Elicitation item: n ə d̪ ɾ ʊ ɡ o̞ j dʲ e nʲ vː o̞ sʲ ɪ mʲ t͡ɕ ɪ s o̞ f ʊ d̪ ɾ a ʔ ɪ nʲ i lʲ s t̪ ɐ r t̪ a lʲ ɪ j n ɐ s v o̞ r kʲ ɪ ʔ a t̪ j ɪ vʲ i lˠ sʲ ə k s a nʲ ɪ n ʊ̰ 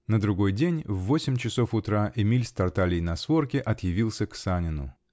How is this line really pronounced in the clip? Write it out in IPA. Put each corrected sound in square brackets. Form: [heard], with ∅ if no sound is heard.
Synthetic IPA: n ə d̪ ɾ ʊ ɡ o̞ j dʲ e nʲ vː o̞ sʲ ɪ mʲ t͡ɕ ɪ s o̞ f ʊ [t̪] ɾ a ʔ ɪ [mʲ] i lʲ s t̪ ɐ r t̪ a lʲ ɪ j n ɐ s v o̞ r kʲ ɪ ʔ [ɐ] t̪ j ɪ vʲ i lˠ sʲ ə k s a nʲ ɪ n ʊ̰